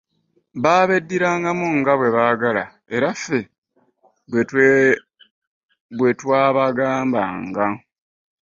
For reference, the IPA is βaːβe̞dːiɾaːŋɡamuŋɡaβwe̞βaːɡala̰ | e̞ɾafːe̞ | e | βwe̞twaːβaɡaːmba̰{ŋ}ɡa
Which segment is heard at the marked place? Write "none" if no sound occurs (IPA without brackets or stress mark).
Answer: ŋ